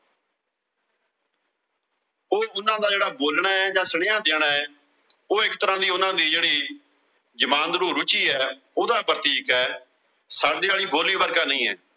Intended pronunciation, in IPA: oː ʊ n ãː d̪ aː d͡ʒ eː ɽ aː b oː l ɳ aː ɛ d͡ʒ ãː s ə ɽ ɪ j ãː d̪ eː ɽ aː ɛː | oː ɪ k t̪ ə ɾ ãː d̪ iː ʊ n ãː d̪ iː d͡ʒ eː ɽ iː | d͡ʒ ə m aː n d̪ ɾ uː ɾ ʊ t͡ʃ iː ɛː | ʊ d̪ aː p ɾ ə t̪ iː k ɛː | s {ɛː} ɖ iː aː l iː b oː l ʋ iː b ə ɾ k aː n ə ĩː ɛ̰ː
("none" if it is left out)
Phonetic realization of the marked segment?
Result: aː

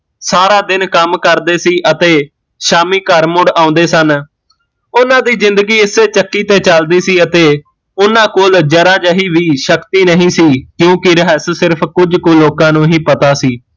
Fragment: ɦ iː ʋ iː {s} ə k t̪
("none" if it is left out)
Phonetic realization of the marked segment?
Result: ʃ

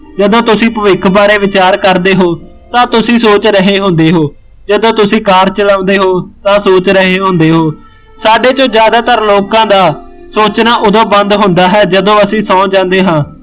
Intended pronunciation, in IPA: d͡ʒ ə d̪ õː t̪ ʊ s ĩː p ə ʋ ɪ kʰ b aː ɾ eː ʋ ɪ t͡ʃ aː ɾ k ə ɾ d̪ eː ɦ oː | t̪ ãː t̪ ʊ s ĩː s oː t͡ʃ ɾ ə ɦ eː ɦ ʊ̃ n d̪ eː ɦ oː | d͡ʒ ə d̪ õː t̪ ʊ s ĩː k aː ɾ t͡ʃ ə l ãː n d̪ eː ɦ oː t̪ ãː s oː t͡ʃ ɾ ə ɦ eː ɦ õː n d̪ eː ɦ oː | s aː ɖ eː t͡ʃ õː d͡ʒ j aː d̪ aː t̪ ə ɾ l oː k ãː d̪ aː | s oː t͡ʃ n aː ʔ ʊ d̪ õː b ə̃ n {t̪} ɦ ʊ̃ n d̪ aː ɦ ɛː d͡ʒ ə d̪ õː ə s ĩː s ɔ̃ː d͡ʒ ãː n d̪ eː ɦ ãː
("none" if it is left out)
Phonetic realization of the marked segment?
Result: d̪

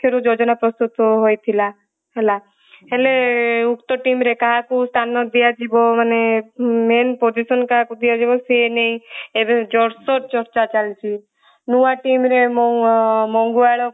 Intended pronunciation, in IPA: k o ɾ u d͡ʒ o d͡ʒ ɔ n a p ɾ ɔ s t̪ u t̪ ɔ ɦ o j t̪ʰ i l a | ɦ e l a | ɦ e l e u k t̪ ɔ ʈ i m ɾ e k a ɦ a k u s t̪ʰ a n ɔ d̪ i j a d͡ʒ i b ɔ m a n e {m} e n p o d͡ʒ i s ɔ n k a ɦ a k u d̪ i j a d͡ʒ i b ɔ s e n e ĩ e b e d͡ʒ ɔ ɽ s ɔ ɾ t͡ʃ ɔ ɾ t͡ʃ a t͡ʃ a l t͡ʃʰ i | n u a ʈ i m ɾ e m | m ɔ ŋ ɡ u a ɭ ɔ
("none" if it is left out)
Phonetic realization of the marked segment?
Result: m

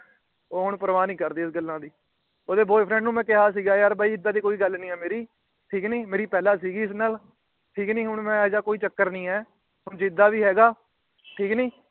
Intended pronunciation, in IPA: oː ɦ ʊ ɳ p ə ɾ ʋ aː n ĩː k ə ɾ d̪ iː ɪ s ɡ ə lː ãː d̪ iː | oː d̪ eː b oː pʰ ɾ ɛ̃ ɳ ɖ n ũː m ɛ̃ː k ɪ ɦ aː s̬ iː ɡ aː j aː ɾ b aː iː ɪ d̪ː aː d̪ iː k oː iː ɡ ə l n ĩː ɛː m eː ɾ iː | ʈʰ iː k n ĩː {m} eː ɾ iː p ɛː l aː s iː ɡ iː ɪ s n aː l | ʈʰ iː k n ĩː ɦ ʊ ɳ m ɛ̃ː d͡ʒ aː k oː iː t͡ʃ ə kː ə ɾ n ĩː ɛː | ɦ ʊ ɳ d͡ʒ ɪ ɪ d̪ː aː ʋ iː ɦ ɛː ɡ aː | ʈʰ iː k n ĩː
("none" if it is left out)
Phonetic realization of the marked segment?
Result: m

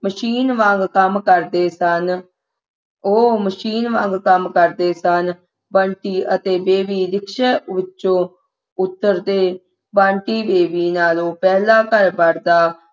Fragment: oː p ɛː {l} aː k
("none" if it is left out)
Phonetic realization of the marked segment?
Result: l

